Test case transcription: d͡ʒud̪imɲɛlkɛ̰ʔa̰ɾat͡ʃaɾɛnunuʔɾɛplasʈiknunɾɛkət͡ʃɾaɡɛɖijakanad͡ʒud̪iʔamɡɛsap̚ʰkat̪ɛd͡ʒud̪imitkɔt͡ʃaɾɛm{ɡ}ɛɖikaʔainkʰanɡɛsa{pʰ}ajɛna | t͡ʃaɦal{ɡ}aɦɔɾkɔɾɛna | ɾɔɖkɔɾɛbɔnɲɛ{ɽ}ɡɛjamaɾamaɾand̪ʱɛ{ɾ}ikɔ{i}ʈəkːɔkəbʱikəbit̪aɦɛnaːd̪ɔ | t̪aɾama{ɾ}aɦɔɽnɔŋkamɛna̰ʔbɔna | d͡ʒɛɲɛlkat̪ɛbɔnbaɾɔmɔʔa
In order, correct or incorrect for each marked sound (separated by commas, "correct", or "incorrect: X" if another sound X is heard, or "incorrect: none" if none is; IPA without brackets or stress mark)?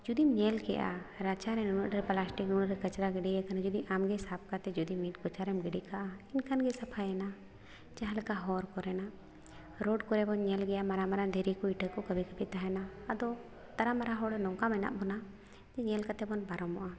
correct, correct, incorrect: k, incorrect: l, correct, correct, correct